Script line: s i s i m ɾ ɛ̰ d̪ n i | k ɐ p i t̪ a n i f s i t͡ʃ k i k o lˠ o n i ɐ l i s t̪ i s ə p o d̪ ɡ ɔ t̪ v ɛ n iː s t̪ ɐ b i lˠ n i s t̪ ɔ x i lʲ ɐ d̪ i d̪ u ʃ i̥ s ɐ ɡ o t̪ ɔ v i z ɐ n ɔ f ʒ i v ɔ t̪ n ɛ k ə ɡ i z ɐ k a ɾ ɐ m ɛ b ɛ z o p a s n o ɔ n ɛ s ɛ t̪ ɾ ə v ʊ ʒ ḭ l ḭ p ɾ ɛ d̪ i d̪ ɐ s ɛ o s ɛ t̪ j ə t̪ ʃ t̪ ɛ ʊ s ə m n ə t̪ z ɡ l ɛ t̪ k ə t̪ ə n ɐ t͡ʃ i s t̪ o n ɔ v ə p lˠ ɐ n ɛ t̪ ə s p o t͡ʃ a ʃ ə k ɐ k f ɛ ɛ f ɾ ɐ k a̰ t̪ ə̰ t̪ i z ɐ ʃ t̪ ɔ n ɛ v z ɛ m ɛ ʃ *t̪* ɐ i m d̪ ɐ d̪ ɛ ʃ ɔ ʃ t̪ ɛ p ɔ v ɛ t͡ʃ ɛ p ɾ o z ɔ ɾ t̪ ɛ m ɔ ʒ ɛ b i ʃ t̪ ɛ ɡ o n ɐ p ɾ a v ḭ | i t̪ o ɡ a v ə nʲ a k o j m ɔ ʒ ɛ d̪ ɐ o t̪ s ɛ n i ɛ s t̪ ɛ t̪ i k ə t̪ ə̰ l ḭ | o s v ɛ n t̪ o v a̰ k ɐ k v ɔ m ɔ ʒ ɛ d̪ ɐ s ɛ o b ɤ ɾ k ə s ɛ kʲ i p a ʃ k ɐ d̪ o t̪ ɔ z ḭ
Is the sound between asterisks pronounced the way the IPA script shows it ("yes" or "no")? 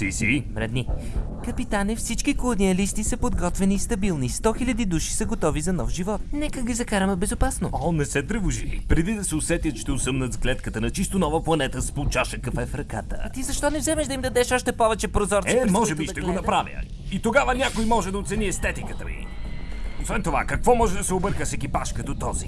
no